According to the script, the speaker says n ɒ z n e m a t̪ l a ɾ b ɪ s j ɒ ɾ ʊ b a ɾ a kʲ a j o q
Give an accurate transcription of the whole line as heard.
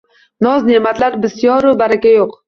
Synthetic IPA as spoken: n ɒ z n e m a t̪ l a ɾ b ɪ s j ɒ ɾ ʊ b a ɾ a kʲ a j o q

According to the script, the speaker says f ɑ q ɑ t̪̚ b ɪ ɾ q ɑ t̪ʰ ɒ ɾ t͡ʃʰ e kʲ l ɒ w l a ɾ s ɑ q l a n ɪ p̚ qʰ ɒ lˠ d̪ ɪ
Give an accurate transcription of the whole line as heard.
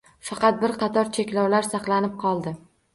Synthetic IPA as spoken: f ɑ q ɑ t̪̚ b ɪ ɾ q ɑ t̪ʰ ɒ ɾ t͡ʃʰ e kʲ l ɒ w l a ɾ s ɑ q l a n ɪ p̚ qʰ ɒ lˠ d̪ ɪ

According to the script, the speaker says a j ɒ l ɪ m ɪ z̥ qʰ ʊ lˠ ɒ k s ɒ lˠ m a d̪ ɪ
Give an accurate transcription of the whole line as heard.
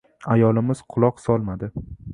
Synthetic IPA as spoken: a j ɒ l ɪ m ɪ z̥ qʰ ʊ lˠ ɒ q s ɒ lˠ m a d̪ ɪ

